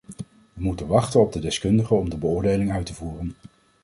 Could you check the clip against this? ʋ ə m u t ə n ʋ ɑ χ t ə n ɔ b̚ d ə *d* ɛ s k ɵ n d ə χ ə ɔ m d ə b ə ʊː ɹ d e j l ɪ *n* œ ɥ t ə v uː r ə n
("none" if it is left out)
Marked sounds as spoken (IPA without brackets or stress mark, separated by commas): d, ŋ